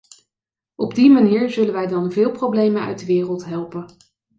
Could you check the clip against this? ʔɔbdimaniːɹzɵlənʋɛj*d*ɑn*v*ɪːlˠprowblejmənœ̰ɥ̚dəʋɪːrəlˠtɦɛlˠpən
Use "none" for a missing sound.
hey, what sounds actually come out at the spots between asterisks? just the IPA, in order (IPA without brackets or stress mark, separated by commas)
d, v